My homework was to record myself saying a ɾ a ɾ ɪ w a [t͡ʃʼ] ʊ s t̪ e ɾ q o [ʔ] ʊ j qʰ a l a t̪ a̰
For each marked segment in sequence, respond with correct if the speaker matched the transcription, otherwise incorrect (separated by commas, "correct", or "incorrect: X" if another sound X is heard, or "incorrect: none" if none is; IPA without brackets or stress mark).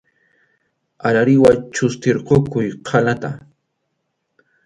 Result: incorrect: t͡ʃ, incorrect: k